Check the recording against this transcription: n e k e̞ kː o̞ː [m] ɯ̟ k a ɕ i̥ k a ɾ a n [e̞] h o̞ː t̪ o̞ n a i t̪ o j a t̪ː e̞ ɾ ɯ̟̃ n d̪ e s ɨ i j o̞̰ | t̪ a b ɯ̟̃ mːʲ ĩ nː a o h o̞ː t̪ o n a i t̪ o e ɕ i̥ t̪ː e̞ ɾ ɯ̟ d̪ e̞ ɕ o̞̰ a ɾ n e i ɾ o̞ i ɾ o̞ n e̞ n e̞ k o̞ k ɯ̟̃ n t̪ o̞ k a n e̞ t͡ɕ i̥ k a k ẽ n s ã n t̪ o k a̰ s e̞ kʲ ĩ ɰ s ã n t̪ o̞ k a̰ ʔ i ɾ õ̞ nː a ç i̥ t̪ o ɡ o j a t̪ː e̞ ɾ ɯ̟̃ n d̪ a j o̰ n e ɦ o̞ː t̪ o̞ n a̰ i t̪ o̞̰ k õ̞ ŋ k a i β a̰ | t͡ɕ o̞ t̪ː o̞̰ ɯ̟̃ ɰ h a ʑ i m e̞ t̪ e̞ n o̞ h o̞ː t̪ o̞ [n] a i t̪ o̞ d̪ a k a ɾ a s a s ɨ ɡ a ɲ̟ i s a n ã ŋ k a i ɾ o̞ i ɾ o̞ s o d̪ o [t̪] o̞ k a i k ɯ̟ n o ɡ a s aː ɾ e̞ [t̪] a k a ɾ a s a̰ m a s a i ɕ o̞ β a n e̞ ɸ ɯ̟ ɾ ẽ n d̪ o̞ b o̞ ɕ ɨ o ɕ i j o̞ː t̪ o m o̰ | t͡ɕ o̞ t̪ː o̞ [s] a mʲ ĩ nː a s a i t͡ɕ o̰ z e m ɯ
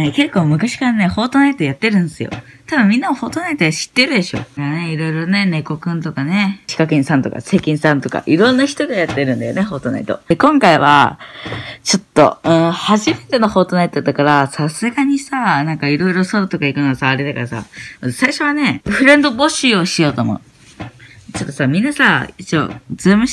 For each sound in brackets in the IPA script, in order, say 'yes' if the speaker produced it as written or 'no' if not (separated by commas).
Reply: yes, yes, yes, yes, no, yes